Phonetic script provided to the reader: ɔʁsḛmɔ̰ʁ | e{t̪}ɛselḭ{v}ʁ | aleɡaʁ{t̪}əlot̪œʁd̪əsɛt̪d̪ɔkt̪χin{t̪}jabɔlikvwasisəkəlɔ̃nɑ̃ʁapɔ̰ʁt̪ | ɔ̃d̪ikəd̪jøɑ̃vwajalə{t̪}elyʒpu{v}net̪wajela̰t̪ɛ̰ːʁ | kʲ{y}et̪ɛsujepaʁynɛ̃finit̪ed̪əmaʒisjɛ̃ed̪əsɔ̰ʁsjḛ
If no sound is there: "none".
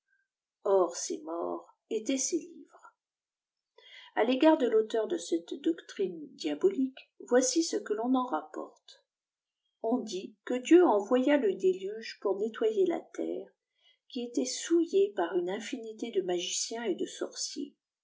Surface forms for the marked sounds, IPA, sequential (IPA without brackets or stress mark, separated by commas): t̪, v, d̪, d̪, d̪, ʁ, i